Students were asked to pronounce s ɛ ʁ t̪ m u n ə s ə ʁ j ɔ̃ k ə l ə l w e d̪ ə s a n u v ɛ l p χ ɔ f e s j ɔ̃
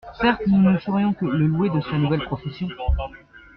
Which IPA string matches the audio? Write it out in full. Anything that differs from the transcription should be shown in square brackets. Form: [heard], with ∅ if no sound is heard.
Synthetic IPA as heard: s ɛ ʁ t̪ [n] u n ə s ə ʁ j ɔ̃ k ə l ə l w e d̪ ə s a n u v ɛ l p χ ɔ f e s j ɔ̃